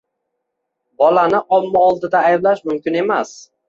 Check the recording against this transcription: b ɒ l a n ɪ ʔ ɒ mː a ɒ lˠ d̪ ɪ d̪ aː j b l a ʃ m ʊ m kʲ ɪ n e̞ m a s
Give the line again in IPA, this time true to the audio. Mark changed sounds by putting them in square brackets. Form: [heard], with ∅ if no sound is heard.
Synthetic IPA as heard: b ɒ l a n ɪ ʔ ɒ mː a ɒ lˠ d̪ ɪ d̪ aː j b l a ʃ m ʊ m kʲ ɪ n e̞ m a s